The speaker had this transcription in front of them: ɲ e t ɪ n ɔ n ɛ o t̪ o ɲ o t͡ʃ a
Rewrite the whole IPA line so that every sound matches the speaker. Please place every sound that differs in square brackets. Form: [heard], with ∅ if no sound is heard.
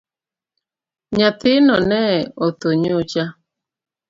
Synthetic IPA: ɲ [a] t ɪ n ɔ n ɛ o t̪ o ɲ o t͡ʃ a